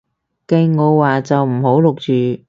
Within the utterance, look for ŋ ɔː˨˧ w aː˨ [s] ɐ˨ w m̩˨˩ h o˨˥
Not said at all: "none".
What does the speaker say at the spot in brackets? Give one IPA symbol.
t͡s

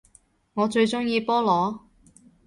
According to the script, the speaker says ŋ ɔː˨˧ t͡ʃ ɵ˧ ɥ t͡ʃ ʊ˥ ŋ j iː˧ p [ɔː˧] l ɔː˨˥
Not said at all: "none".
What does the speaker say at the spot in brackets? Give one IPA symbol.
ɔː˥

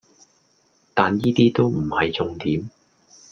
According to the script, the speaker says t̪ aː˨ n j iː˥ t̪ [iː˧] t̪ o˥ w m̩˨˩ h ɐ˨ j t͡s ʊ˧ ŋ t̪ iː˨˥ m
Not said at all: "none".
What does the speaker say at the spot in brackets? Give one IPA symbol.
iː˥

